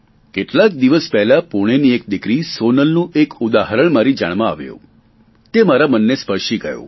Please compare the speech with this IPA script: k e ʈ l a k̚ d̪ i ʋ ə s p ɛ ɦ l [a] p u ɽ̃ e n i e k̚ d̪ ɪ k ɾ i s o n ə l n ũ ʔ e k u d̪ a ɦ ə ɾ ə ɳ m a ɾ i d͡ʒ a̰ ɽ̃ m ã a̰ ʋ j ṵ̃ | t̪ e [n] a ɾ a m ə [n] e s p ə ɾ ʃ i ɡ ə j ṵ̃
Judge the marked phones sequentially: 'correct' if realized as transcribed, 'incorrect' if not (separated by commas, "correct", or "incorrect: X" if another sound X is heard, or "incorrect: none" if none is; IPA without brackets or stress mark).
correct, incorrect: m, incorrect: nː